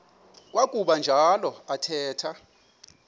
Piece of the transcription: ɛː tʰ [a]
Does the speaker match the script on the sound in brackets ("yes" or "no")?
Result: yes